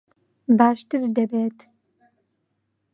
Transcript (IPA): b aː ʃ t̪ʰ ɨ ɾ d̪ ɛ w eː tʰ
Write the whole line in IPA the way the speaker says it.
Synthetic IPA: b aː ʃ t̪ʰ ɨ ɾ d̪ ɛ b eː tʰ